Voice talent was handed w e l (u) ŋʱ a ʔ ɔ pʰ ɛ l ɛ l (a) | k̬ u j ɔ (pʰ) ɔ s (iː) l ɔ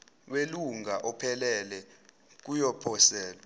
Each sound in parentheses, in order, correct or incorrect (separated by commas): correct, incorrect, correct, incorrect